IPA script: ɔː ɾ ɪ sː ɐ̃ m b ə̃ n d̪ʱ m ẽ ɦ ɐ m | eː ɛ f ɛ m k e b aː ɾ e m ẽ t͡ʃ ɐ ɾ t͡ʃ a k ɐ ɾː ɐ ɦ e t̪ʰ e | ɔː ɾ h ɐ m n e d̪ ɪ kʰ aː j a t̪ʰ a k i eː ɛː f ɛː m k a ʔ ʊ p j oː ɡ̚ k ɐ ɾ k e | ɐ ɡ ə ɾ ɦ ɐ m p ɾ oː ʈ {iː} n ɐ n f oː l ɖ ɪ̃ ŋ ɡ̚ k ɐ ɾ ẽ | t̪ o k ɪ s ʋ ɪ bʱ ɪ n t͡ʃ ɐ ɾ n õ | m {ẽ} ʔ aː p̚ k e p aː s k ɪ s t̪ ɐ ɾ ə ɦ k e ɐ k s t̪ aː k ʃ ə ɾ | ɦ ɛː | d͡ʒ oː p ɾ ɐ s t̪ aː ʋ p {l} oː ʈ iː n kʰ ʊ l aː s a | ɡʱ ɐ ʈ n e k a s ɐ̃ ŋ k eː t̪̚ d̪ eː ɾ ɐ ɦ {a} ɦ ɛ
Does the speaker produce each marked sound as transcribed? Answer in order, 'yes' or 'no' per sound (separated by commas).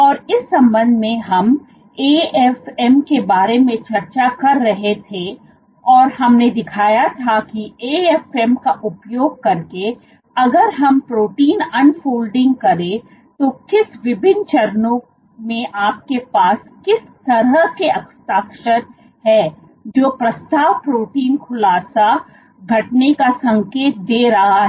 yes, yes, no, yes